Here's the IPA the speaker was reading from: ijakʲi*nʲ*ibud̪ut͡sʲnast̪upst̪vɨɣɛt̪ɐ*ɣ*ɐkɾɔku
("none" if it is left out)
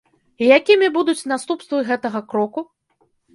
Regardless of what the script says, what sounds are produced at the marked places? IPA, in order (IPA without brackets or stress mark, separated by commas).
mʲ, ɣ